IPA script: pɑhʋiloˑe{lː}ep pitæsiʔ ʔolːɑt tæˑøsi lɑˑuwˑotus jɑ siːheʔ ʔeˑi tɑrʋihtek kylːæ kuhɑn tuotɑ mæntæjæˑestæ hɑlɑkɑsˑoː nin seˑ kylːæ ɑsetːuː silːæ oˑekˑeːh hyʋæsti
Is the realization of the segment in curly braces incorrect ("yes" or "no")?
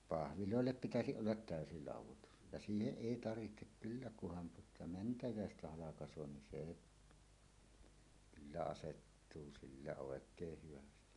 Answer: no